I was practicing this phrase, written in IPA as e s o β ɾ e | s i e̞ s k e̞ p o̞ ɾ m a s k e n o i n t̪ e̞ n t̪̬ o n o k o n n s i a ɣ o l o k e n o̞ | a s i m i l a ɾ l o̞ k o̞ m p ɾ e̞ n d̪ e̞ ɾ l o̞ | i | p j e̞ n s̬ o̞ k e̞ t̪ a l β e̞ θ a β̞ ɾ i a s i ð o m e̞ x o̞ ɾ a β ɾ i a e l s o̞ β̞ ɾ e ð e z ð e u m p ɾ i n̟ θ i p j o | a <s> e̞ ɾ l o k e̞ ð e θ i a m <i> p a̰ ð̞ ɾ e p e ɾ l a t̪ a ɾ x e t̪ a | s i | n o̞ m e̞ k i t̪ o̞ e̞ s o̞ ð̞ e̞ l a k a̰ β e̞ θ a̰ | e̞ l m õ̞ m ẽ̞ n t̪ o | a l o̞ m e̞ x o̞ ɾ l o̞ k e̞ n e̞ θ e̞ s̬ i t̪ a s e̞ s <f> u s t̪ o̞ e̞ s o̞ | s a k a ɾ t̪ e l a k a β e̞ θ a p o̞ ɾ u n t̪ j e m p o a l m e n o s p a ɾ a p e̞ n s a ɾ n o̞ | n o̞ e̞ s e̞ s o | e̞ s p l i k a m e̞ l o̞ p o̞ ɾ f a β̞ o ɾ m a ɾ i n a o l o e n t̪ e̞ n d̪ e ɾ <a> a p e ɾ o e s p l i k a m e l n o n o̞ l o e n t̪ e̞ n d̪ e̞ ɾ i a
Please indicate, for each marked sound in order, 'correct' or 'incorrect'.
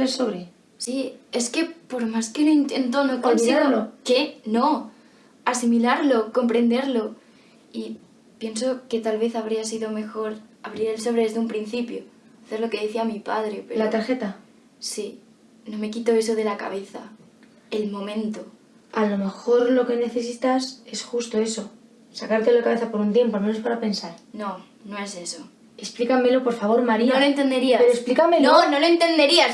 incorrect, correct, incorrect, incorrect

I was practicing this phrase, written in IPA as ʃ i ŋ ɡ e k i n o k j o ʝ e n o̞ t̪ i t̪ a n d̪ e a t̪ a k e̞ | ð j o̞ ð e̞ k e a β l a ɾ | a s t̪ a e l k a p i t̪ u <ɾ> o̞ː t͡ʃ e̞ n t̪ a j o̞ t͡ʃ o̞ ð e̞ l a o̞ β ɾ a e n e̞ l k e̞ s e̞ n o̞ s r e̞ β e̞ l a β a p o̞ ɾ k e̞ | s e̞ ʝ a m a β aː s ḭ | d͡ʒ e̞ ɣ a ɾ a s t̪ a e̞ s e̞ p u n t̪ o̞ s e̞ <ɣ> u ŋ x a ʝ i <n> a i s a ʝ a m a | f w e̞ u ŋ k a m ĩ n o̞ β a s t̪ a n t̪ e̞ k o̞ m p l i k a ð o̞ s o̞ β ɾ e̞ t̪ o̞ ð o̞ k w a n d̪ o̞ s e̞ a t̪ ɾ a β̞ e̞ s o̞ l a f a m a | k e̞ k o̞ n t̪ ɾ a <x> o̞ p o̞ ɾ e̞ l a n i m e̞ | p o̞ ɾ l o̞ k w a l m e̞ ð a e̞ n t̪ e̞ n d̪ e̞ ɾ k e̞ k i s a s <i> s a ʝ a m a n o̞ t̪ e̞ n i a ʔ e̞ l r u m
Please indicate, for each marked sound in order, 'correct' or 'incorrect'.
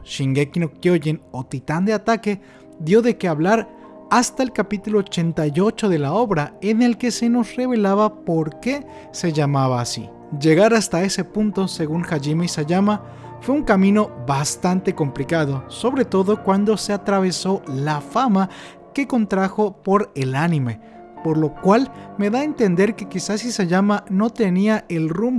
incorrect, correct, incorrect, correct, correct

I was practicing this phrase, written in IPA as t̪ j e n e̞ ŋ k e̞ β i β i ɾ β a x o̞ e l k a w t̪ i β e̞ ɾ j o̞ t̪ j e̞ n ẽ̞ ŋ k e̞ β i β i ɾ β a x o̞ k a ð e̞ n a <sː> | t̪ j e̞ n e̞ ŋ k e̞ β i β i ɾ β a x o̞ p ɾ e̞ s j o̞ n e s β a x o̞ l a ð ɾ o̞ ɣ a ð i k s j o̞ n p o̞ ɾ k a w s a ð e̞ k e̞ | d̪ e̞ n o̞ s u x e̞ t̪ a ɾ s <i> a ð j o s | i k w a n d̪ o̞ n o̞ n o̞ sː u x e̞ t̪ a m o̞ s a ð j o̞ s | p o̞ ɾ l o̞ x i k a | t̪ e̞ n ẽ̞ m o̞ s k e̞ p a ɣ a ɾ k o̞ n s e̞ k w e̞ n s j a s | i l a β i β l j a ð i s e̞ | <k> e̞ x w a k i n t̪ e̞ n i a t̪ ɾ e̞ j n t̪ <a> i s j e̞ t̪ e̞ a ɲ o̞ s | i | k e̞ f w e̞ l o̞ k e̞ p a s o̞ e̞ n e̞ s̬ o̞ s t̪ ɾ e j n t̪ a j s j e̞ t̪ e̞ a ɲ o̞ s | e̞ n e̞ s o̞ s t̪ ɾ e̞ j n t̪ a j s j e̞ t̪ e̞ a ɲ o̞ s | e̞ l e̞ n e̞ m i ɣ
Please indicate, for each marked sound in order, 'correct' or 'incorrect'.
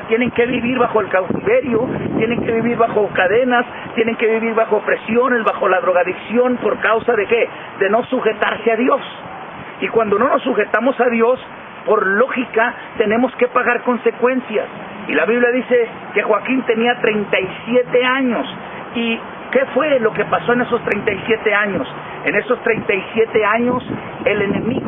incorrect, incorrect, correct, correct

